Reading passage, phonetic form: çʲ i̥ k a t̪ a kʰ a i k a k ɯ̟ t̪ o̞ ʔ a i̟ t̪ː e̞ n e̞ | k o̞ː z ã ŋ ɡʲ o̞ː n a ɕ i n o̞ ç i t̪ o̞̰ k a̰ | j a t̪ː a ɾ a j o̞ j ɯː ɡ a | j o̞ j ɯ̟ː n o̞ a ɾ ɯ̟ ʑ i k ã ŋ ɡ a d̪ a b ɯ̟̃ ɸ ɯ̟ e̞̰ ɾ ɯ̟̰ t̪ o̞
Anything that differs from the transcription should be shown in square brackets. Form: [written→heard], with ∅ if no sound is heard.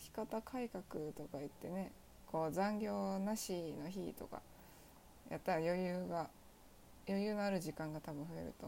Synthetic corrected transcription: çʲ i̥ k a t̪ a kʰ a i k a k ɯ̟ t̪ o̞ [ʔ→k] a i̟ t̪ː e̞ n e̞ | k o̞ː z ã ŋ ɡʲ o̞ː n a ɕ i n o̞ ç i t̪ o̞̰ k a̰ | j a t̪ː a ɾ a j o̞ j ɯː ɡ a | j o̞ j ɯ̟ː n o̞ a ɾ ɯ̟ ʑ i k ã ŋ ɡ a [d̪→t̪] a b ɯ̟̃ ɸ ɯ̟ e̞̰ ɾ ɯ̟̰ t̪ o̞